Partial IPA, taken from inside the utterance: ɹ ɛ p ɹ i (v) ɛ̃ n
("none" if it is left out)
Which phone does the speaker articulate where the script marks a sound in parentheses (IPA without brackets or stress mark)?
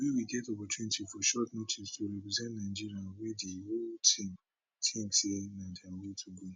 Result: z